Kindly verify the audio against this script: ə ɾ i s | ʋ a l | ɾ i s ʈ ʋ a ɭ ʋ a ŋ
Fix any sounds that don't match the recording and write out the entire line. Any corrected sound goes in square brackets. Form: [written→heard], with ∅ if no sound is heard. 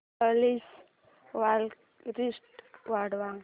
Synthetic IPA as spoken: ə [ɾ→l] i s | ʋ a l | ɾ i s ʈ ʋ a [ɭ→ɽ] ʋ a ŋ